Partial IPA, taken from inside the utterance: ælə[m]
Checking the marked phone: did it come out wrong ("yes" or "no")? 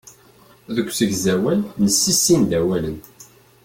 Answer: yes